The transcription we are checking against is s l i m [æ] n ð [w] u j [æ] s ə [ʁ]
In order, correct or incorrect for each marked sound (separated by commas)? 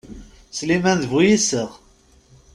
correct, incorrect, incorrect, correct